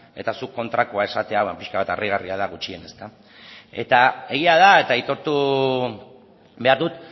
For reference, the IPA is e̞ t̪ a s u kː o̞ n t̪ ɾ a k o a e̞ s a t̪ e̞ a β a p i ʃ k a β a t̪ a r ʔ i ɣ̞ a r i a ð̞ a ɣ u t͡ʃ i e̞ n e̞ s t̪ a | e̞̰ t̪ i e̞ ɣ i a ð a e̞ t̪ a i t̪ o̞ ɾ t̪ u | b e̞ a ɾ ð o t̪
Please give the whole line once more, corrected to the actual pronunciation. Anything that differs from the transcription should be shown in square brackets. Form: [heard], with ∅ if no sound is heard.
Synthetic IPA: e̞ t̪ a s u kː o̞ n t̪ ɾ a k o a e̞ s a t̪ e̞ a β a p i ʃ k a β a t̪ a r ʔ i ɣ̞ a r i a ð̞ a ɣ u t͡ʃ i e̞ n e̞ s t̪ a | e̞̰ t̪ [a] e̞ ɣ i a ð a e̞ t̪ a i t̪ o̞ ɾ t̪ u | b e̞ a ɾ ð [u] t̪